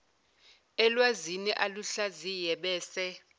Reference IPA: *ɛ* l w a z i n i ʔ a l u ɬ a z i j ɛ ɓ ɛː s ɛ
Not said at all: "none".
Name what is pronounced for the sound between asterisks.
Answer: ɛ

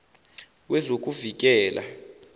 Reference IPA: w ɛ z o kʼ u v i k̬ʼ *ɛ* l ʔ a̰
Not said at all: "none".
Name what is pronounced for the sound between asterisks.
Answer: ɛː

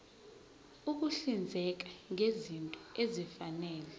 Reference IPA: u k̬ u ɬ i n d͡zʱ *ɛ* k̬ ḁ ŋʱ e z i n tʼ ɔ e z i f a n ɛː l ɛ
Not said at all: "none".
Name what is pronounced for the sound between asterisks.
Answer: ɛ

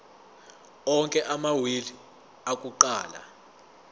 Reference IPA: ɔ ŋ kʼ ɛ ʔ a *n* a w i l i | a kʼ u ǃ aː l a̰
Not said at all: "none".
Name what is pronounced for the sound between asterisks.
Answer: m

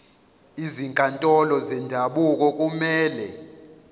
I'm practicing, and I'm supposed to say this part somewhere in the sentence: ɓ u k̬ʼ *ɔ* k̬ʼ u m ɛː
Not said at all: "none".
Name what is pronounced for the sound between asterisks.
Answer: ɔ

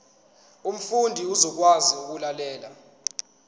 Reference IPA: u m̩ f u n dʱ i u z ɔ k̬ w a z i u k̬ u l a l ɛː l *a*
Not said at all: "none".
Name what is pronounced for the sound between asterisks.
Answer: a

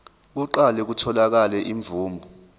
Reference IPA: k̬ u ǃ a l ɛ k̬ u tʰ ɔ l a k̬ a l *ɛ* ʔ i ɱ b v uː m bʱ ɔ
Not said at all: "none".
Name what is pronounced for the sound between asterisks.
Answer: ɛ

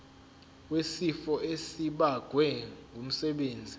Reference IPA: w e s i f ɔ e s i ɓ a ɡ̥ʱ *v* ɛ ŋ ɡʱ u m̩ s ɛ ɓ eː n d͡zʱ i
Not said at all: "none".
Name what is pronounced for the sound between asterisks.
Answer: w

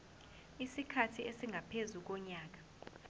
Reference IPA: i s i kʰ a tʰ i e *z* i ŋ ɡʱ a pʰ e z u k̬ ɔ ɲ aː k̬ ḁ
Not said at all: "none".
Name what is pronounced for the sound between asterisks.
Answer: s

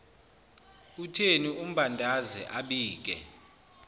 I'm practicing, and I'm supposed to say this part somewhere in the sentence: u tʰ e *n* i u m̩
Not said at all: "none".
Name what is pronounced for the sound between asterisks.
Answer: n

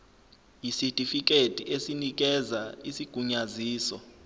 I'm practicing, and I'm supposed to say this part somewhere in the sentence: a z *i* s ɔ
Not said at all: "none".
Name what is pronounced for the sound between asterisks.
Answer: iː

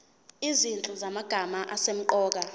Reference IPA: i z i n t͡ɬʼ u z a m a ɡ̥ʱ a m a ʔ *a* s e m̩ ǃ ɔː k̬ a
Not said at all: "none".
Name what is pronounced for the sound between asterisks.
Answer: a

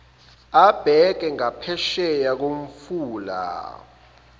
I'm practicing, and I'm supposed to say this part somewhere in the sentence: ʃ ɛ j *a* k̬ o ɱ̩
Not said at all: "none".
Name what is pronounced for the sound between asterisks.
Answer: a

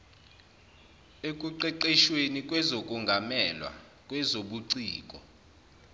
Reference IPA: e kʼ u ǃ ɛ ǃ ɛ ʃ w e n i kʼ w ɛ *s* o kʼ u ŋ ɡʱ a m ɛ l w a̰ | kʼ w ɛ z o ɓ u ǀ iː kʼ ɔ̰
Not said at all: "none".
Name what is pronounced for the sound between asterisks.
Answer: z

